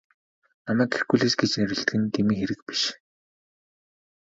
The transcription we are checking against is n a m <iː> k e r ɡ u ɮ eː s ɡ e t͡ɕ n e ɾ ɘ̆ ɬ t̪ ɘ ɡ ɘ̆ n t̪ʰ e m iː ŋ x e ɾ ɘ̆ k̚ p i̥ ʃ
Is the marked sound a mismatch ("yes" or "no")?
yes